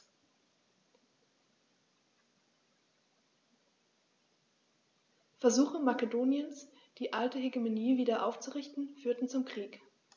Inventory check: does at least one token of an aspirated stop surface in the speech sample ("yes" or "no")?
no